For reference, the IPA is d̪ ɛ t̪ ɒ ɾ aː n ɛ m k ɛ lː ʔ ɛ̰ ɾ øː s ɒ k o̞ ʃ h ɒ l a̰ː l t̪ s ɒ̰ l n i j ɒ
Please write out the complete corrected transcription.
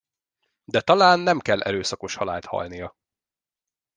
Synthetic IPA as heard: d̪ ɛ t̪ ɒ l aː nː ɛ m k ɛ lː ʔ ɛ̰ ɾ øː s ɒ k o̞ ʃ h ɒ l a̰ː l t̪ h ɒ̰ l n i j ɒ